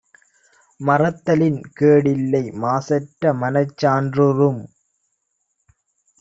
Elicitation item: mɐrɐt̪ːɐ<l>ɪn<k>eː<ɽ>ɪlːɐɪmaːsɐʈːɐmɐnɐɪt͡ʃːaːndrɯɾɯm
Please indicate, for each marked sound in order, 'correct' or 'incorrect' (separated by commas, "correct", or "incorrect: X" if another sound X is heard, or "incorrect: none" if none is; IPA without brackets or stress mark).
correct, correct, correct